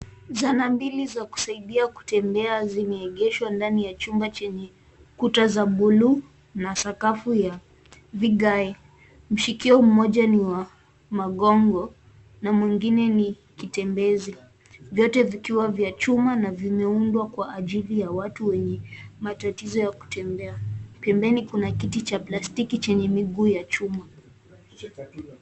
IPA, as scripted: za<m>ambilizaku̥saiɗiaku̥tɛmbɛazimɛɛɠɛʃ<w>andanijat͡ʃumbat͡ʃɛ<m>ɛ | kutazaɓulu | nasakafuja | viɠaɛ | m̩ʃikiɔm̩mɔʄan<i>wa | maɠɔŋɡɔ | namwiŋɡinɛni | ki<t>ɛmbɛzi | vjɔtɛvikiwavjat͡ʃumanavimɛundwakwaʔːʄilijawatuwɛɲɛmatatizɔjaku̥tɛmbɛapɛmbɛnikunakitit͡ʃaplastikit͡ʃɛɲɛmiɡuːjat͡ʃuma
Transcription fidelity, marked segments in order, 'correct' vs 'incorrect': incorrect: n, correct, incorrect: ɲ, correct, correct

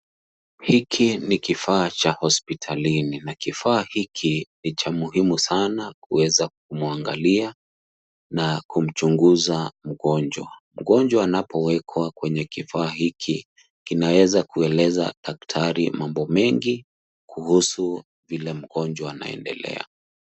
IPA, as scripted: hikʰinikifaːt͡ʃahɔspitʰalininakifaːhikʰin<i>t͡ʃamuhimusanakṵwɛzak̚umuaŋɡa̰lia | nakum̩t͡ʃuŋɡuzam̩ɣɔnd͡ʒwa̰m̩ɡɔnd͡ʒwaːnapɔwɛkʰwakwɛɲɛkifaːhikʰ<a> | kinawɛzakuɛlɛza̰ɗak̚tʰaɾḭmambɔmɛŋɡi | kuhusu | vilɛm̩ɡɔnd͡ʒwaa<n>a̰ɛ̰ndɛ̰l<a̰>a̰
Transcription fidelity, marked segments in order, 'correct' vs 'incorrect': correct, incorrect: i, correct, incorrect: ɛ̰

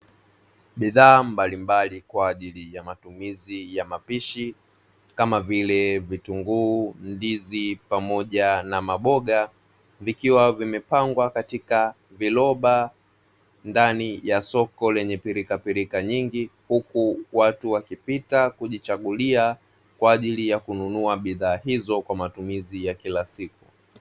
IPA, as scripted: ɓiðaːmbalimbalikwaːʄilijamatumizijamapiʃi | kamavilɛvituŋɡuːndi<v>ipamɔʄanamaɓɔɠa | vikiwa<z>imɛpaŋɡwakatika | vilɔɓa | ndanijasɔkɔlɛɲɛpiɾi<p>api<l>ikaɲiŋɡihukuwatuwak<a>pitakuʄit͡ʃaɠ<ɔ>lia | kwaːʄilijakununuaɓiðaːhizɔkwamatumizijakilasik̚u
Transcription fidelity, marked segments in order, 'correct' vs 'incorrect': incorrect: z, incorrect: v, incorrect: k, incorrect: ɾ, incorrect: i, incorrect: u

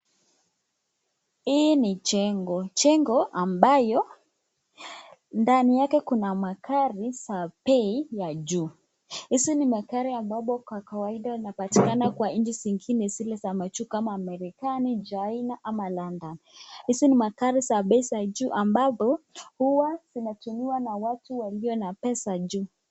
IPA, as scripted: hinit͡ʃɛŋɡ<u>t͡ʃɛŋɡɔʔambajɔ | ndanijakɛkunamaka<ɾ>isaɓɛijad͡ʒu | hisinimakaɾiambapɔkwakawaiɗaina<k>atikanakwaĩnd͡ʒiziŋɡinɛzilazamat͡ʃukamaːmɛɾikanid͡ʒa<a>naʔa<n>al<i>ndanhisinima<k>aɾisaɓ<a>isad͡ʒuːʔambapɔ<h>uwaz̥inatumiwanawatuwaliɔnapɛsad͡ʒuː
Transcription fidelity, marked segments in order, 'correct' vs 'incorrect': incorrect: ɔ, correct, incorrect: p, incorrect: i, incorrect: m, incorrect: a, correct, incorrect: ɛ, correct

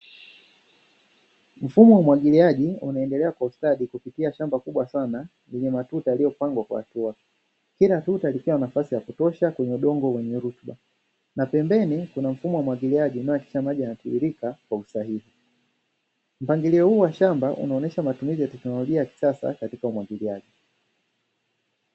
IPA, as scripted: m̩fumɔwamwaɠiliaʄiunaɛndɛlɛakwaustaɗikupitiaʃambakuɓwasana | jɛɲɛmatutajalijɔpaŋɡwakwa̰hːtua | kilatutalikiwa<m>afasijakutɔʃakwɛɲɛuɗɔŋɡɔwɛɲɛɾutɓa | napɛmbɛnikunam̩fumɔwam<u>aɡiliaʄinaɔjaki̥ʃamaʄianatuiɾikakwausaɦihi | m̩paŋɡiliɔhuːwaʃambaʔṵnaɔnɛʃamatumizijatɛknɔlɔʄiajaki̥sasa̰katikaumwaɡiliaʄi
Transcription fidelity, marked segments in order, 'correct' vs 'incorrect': incorrect: n, incorrect: w

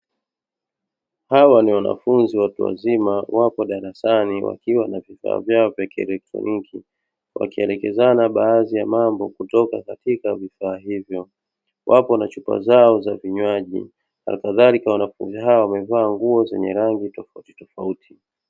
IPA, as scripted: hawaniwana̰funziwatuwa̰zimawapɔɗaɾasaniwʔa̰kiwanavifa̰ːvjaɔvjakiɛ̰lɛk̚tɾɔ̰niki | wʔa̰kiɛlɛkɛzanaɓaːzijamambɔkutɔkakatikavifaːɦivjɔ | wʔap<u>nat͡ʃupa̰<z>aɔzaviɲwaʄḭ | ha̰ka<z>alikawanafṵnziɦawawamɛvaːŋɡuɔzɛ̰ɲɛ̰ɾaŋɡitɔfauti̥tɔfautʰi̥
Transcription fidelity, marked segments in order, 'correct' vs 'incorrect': incorrect: ɔ, correct, incorrect: ð

